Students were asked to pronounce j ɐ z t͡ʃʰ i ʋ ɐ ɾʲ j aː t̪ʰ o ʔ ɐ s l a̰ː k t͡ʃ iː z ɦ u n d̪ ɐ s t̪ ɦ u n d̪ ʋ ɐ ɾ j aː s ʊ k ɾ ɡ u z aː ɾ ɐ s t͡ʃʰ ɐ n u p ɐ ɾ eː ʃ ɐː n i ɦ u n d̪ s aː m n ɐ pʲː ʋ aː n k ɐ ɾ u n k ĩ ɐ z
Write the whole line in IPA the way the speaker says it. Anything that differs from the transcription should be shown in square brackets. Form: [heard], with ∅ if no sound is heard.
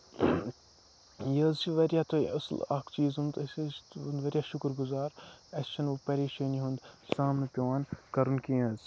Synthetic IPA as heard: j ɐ z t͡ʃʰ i ʋ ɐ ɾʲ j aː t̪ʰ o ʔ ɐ s l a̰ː k t͡ʃ iː z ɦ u n d̪ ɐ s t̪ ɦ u n d̪ ʋ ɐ ɾ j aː [ʃ] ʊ k ɾ ɡ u z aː ɾ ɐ s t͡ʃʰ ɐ n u p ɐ ɾ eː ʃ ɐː n i ɦ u n d̪ s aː m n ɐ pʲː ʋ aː n k ɐ ɾ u n k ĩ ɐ z